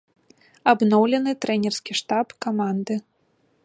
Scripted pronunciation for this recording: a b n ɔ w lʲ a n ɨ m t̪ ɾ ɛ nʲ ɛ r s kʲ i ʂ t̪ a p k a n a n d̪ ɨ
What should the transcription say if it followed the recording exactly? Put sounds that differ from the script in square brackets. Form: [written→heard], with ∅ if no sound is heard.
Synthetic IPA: a b n ɔ w lʲ [a→ɛ] n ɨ [m→∅] t̪ ɾ ɛ nʲ ɛ r s kʲ i ʂ t̪ a p k a [n→m] a n d̪ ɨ